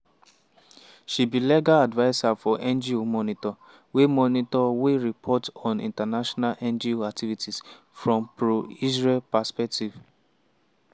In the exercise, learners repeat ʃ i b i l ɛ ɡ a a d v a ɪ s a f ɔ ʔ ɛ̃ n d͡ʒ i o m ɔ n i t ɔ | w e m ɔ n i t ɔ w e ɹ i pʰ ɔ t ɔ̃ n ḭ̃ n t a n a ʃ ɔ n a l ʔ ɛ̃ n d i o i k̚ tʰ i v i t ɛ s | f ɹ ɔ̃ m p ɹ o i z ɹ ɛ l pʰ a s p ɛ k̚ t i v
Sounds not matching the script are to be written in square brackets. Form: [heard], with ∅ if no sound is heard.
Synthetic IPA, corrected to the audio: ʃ i b i l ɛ ɡ a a d v a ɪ s a f ɔ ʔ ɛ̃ n d͡ʒ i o m ɔ n i t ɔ | w e m ɔ n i t ɔ w e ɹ i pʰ ɔ t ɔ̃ n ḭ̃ n t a n a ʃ ɔ n a l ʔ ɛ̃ n [d͡ʒ] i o [a] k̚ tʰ i v i t [i] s | f ɹ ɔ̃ m p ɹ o i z ɹ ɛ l [p] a s p ɛ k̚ t i v